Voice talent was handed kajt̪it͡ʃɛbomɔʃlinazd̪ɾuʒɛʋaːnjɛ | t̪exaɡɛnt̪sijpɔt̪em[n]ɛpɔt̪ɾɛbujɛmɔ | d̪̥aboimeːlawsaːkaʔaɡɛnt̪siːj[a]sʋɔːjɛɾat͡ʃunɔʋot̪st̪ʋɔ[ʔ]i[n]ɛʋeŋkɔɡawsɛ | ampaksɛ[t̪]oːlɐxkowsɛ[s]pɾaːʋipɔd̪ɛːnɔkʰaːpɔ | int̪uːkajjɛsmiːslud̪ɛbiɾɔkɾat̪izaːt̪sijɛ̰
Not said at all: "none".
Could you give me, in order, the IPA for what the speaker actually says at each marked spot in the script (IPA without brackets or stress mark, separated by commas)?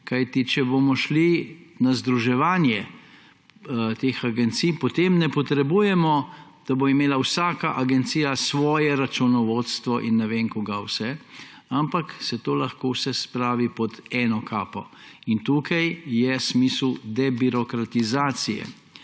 n, a, ʔ, nː, t̪, s